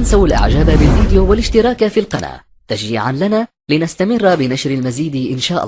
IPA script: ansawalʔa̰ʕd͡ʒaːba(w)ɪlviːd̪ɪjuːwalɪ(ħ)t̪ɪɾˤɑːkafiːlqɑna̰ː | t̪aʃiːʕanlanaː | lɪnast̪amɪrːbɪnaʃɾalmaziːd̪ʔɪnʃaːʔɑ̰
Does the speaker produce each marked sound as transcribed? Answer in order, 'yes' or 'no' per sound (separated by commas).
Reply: no, no